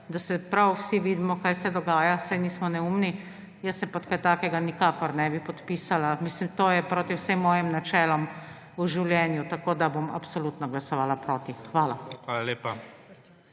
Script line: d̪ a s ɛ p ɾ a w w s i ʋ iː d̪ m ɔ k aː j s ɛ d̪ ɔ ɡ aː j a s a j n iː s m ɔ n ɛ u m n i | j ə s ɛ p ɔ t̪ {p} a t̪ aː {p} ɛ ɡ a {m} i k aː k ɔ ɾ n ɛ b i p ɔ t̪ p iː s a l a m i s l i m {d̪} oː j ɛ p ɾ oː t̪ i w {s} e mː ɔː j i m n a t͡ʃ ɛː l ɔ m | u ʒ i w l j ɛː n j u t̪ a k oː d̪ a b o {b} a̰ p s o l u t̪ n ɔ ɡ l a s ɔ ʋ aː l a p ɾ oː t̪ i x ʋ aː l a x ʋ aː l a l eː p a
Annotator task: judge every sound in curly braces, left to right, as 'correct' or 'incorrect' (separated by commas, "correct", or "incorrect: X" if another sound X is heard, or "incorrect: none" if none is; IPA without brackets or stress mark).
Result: incorrect: k, incorrect: k, incorrect: n, incorrect: t̪, correct, incorrect: m